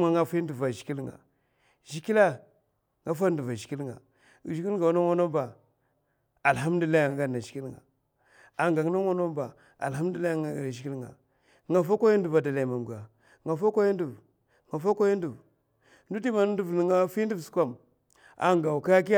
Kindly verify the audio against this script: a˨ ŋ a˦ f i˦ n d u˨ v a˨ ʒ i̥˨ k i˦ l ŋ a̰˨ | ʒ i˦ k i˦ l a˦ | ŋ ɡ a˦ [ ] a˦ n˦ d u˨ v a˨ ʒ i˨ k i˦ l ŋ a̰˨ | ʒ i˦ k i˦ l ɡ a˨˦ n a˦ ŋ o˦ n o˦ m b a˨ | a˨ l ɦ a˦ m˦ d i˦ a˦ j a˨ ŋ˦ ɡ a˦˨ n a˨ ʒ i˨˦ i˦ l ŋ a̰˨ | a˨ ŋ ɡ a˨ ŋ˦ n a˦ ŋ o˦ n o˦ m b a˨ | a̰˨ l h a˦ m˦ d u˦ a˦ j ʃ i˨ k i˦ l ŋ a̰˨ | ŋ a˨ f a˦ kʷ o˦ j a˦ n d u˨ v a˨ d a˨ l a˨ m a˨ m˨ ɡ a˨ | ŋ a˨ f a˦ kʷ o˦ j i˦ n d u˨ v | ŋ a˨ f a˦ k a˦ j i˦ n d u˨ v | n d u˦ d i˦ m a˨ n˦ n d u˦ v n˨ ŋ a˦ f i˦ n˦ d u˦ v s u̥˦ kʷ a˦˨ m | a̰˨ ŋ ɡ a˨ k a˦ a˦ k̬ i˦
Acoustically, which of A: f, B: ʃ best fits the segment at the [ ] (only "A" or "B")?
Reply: A